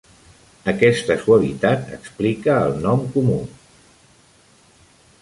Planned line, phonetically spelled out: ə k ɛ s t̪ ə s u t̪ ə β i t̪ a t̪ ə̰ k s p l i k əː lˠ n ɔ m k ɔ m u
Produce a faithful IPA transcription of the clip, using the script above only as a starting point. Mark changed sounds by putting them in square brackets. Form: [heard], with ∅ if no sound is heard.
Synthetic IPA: ə k ɛ s t̪ ə s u [∅] ə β i t̪ a t̪ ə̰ k s p l i k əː lˠ n ɔ m k [u] m u